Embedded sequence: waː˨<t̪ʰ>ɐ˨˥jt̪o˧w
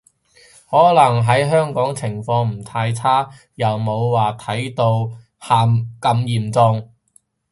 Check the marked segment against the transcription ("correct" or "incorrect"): correct